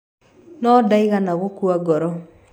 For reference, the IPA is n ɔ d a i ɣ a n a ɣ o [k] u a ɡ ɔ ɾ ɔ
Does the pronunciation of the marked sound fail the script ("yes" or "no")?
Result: no